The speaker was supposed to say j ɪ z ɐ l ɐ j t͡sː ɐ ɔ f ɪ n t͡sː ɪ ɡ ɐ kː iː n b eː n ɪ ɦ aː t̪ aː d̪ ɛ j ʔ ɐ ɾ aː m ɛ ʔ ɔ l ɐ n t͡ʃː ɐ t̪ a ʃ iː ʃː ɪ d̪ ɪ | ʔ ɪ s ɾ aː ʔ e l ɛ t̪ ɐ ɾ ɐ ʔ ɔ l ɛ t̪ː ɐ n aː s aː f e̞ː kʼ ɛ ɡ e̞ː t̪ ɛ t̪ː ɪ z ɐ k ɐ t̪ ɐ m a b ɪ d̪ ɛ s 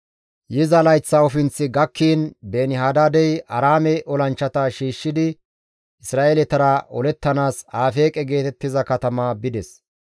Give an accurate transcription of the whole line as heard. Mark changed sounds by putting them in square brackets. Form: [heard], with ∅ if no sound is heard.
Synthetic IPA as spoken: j ɪ z ɐ l ɐ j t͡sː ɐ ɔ f ɪ n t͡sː ɪ ɡ ɐ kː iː n b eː n ɪ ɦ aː [d̪] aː d̪ ɛ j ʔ ɐ ɾ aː m ɛ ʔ ɔ l ɐ n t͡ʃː ɐ t̪ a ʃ iː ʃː ɪ d̪ ɪ | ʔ ɪ s ɾ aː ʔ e l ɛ t̪ ɐ ɾ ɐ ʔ ɔ l ɛ t̪ː ɐ n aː s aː f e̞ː kʼ ɛ ɡ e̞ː t̪ ɛ t̪ː ɪ z ɐ k ɐ t̪ ɐ m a b ɪ d̪ ɛ s

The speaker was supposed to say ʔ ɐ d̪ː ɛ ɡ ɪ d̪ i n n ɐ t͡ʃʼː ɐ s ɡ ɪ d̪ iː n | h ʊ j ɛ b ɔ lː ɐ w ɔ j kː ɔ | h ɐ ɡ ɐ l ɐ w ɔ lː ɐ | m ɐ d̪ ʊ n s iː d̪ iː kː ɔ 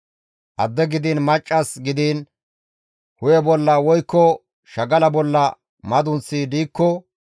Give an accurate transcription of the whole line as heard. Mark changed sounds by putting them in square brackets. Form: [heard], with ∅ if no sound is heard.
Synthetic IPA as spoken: ʔ ɐ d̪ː ɛ ɡ ɪ d̪ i n [m] ɐ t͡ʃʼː ɐ s ɡ ɪ d̪ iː n | h ʊ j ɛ b ɔ lː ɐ w ɔ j kː ɔ | [ʃ] ɐ ɡ ɐ l ɐ [b] ɔ lː ɐ | m ɐ d̪ ʊ n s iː d̪ iː kː ɔ

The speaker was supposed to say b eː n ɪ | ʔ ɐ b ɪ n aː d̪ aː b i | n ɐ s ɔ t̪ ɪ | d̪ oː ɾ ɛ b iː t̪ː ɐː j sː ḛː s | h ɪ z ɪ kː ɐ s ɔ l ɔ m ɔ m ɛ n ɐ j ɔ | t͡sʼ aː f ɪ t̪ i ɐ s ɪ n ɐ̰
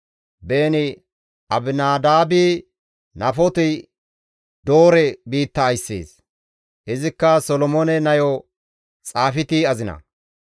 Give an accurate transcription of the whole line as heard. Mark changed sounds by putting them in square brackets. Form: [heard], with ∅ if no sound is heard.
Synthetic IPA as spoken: b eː n ɪ | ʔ ɐ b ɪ n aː d̪ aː b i | n ɐ [f] ɔ t̪ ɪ | d̪ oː ɾ ɛ b iː t̪ː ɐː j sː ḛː s | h ɪ z ɪ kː ɐ s ɔ l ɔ m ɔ [n] ɛ n ɐ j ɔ | t͡sʼ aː f ɪ t̪ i ɐ [z] ɪ n ɐ̰

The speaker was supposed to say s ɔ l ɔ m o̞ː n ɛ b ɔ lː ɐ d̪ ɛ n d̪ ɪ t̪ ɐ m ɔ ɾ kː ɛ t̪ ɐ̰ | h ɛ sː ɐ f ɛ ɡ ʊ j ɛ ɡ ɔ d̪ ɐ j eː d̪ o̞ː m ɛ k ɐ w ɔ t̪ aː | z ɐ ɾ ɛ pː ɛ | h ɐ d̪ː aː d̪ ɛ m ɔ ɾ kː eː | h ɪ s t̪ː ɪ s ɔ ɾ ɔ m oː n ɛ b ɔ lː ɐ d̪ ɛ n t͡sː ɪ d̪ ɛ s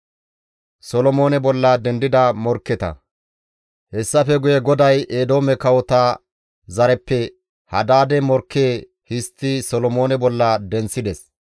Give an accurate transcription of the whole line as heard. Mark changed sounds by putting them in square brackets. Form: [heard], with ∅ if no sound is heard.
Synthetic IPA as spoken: s ɔ l ɔ m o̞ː n ɛ b ɔ lː ɐ d̪ ɛ n d̪ ɪ [d̪] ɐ m ɔ ɾ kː ɛ t̪ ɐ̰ | h ɛ sː ɐ f ɛ ɡ ʊ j ɛ ɡ ɔ d̪ ɐ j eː d̪ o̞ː m ɛ k ɐ w ɔ t̪ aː | z ɐ ɾ ɛ pː ɛ | h ɐ [d̪] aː d̪ ɛ m ɔ ɾ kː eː | h ɪ s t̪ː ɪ s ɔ [l] ɔ m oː n ɛ b ɔ lː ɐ d̪ ɛ n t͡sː ɪ d̪ ɛ s

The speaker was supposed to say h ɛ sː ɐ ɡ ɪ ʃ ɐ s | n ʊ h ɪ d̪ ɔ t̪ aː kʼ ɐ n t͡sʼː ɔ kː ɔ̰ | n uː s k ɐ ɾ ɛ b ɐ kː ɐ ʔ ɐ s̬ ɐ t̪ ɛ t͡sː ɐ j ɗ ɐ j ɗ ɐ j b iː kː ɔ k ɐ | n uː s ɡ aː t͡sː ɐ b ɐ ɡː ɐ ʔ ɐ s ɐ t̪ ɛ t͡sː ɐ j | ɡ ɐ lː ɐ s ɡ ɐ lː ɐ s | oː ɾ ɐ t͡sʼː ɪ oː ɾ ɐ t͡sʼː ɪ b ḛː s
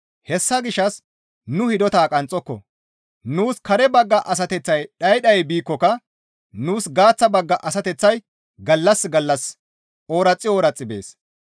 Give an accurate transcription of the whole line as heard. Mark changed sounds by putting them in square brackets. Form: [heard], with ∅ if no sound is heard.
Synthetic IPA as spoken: h ɛ sː ɐ ɡ ɪ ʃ ɐ s | n ʊ h ɪ d̪ ɔ t̪ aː kʼ ɐ n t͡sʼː ɔ kː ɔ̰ | n uː s k ɐ ɾ ɛ b ɐ [ɡː] ɐ ʔ ɐ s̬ ɐ t̪ ɛ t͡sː ɐ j ɗ ɐ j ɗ ɐ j b iː kː ɔ k ɐ | n uː s ɡ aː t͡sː ɐ b ɐ ɡː ɐ ʔ ɐ s ɐ t̪ ɛ t͡sː ɐ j | ɡ ɐ lː ɐ s ɡ ɐ lː ɐ s | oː ɾ ɐ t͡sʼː ɪ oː ɾ ɐ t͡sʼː ɪ b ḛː s

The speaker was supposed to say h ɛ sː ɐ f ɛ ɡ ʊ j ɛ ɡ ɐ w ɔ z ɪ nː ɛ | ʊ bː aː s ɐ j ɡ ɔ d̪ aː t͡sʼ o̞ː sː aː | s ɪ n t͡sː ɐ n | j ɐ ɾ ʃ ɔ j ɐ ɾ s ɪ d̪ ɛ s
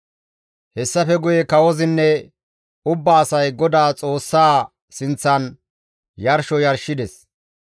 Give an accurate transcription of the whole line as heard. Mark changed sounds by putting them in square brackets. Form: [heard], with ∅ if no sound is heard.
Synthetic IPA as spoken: h ɛ sː ɐ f ɛ ɡ ʊ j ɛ [k] ɐ w ɔ z ɪ nː ɛ | ʊ bː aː s ɐ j ɡ ɔ d̪ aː t͡sʼ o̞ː sː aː | s ɪ n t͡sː ɐ n | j ɐ ɾ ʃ ɔ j ɐ ɾ [ʃ] ɪ d̪ ɛ s

